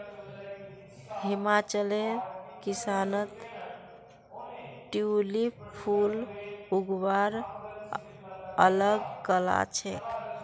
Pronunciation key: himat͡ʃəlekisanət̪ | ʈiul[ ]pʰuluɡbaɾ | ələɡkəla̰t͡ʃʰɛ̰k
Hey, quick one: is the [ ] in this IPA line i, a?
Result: i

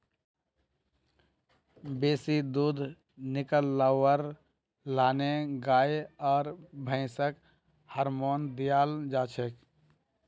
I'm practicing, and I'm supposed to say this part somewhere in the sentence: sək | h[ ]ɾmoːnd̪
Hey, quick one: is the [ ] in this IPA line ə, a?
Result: ə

